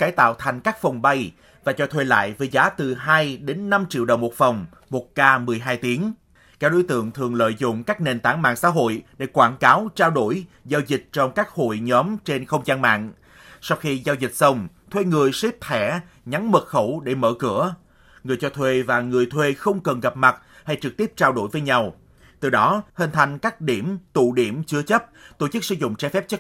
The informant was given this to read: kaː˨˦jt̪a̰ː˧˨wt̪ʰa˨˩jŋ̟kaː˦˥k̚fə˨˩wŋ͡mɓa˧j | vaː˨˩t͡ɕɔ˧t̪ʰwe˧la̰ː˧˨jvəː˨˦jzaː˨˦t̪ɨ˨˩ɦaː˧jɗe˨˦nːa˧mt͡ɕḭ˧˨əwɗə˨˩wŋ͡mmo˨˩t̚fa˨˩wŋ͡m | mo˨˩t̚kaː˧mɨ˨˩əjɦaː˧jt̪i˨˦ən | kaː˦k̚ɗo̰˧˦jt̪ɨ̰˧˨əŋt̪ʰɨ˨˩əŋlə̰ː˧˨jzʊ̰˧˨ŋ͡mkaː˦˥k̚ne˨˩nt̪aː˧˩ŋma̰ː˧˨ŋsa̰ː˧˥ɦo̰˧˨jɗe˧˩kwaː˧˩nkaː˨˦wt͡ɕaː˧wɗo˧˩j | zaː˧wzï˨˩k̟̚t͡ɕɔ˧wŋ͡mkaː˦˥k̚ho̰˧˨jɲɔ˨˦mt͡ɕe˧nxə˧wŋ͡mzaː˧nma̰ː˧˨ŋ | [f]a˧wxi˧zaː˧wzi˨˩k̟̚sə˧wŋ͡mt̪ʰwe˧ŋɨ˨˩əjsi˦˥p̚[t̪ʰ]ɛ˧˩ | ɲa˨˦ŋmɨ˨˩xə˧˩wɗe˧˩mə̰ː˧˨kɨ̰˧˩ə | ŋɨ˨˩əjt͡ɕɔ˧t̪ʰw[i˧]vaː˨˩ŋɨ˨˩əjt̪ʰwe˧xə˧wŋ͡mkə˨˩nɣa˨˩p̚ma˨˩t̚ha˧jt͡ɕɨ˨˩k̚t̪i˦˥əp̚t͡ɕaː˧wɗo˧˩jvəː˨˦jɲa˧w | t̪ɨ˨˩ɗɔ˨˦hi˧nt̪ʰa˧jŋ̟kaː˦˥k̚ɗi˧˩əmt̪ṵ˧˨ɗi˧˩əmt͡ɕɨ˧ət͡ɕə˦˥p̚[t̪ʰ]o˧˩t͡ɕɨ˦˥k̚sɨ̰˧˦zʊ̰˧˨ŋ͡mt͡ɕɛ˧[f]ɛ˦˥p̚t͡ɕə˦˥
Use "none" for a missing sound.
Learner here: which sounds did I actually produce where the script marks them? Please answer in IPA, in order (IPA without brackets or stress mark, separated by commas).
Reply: s, t̪ʰ, e˧, t̪, f